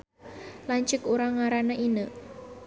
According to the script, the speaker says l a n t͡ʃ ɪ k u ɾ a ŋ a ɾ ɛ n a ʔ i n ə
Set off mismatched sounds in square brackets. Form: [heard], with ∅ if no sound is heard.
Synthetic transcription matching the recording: l a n t͡ʃ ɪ k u ɾ a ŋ a ɾ [a] n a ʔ i n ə